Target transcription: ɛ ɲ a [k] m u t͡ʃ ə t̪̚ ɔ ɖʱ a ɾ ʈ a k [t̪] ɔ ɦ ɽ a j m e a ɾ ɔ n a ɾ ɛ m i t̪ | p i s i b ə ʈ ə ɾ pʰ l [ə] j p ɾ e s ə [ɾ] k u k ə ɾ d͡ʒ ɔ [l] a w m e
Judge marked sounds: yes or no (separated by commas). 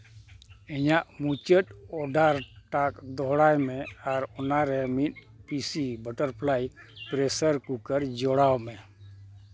no, no, no, yes, no